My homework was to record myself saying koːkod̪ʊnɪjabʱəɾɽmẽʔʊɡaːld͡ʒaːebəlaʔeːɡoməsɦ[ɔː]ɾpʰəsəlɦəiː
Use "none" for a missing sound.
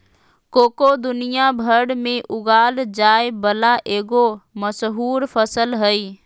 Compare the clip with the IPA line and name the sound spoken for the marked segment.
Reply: uː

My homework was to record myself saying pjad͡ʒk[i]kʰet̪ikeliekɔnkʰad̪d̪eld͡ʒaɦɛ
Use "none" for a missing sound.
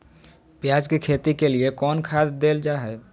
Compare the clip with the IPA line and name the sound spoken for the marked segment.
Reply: e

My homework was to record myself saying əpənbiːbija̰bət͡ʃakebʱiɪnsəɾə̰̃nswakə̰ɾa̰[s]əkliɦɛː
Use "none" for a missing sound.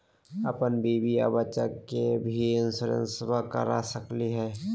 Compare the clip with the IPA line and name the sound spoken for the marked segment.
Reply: s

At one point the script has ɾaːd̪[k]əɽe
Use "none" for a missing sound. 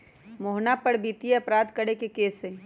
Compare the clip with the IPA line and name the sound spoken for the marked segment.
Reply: k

